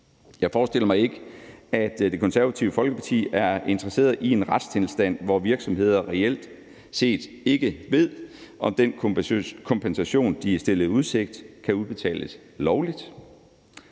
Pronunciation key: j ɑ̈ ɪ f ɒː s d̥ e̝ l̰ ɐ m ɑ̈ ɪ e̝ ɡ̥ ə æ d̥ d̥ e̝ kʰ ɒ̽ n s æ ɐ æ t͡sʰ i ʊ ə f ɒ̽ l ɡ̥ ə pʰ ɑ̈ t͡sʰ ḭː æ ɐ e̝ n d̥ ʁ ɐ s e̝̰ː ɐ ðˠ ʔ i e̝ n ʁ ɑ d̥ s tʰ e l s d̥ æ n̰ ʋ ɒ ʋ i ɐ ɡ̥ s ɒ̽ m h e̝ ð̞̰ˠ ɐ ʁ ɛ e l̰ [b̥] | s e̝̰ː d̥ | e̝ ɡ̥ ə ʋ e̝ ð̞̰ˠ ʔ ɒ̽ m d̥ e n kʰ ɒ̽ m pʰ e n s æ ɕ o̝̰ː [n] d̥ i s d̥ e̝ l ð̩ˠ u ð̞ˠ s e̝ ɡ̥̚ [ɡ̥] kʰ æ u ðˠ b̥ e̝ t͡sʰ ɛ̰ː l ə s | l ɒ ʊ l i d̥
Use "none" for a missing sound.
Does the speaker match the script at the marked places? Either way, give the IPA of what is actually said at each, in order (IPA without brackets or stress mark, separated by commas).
d̥, n, d̥